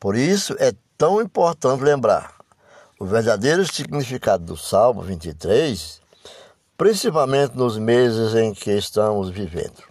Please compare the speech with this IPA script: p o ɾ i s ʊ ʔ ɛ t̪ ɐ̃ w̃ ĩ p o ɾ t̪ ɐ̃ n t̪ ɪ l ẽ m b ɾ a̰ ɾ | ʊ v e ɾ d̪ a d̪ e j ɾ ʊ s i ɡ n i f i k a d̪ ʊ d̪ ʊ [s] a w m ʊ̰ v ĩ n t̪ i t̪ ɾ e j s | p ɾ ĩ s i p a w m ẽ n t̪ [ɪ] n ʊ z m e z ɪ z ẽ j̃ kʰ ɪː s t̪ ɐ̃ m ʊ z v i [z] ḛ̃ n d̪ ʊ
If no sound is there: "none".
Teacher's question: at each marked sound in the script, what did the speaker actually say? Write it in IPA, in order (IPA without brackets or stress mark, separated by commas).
s, ɪ, v